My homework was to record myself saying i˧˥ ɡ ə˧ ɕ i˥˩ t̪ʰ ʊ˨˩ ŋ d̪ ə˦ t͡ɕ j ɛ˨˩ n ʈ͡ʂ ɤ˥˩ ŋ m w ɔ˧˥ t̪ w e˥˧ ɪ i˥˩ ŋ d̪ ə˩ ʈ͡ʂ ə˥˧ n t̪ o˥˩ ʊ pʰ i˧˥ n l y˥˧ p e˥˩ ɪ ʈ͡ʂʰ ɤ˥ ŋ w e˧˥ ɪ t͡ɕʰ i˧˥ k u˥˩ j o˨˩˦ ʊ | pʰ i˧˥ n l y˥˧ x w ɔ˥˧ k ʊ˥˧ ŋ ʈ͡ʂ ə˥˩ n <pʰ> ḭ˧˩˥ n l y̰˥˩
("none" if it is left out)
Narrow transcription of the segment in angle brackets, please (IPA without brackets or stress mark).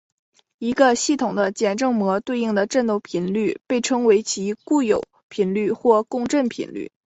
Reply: pʰ